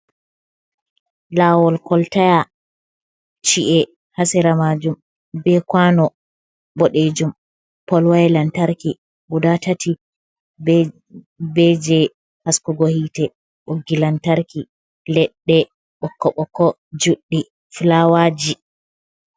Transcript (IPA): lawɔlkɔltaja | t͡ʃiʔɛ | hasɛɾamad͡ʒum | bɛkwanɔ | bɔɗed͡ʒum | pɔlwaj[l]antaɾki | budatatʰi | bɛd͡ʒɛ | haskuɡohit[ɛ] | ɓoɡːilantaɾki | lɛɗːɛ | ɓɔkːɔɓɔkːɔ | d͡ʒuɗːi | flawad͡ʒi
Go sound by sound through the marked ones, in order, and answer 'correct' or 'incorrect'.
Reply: correct, correct

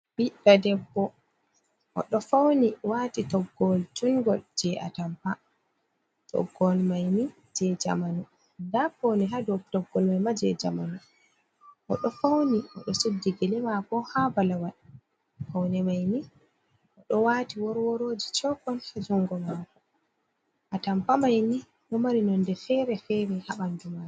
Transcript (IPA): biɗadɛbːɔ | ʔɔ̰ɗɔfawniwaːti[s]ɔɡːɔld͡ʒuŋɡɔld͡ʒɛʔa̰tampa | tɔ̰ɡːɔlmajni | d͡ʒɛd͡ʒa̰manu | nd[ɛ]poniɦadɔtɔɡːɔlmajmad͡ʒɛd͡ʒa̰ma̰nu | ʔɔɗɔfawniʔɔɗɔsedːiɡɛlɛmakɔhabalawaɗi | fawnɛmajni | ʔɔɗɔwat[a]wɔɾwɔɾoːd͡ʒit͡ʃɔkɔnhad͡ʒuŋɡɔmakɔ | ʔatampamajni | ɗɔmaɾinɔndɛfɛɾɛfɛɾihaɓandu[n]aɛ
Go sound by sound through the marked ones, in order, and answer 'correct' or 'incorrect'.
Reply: incorrect, incorrect, incorrect, incorrect

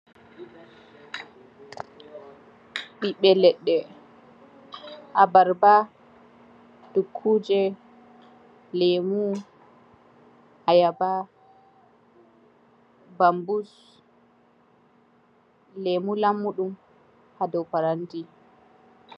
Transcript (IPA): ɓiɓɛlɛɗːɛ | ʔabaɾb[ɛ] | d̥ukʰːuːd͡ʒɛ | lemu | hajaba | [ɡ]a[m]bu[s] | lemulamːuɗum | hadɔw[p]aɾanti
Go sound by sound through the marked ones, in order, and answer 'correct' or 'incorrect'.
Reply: incorrect, incorrect, correct, correct, correct

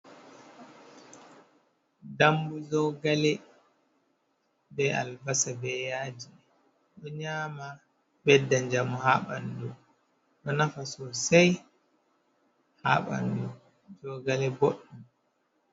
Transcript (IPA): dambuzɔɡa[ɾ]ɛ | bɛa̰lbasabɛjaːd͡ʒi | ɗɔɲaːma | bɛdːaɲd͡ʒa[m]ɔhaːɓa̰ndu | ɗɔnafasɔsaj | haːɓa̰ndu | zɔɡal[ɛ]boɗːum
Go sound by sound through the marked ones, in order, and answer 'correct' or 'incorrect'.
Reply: incorrect, correct, correct

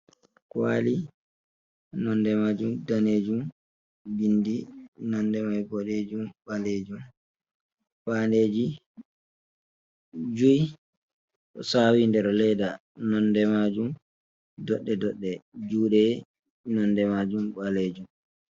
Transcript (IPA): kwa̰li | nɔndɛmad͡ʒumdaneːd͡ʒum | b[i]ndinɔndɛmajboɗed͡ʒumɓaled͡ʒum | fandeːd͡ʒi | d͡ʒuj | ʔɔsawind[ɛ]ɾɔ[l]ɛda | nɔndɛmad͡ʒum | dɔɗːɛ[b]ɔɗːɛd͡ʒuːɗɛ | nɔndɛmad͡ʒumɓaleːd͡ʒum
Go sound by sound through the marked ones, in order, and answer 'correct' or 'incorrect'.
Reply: correct, correct, correct, incorrect

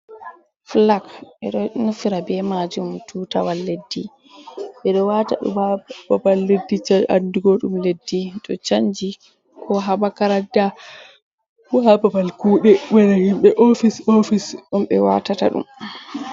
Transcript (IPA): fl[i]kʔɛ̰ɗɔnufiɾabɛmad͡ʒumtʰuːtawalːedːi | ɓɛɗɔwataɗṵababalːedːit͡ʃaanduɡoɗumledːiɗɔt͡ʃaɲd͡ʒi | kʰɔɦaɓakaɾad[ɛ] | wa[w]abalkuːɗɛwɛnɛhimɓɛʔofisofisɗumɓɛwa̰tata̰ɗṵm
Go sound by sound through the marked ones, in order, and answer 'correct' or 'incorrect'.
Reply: incorrect, incorrect, incorrect

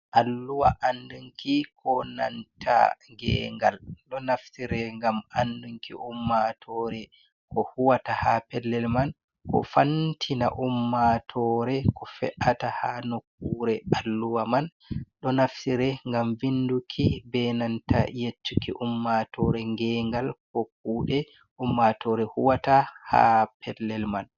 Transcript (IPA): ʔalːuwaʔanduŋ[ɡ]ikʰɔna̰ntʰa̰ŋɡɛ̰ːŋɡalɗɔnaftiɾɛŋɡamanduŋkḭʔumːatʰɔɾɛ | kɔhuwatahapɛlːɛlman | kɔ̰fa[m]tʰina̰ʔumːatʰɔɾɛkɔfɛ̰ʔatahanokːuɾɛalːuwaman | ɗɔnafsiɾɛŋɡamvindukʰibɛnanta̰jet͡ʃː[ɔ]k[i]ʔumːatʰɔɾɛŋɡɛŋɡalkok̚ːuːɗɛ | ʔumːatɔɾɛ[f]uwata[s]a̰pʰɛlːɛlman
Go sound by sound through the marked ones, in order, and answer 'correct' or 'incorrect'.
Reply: incorrect, incorrect, incorrect, correct, incorrect, incorrect

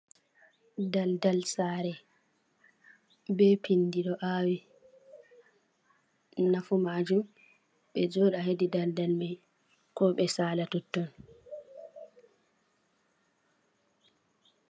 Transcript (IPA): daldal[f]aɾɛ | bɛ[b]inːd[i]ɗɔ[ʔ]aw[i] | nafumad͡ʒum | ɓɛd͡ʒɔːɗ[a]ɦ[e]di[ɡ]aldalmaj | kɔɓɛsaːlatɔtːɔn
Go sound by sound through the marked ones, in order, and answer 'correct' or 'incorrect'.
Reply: incorrect, incorrect, correct, correct, correct, correct, correct, incorrect

